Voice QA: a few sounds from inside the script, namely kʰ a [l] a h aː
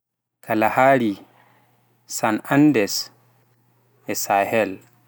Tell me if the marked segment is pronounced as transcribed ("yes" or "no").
yes